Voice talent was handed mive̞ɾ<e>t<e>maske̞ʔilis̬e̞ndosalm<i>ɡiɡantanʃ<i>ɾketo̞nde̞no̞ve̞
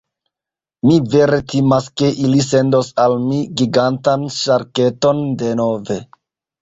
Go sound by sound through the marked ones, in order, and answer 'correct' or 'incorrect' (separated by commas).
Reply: correct, incorrect, correct, incorrect